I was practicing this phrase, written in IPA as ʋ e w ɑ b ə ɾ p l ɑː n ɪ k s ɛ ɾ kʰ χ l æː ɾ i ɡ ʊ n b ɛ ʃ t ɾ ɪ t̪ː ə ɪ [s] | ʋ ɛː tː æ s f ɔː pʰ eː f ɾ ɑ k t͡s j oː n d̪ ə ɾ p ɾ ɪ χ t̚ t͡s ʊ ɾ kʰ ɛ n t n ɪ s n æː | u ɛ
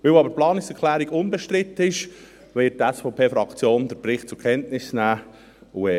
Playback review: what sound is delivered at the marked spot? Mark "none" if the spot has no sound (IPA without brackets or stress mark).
ʃ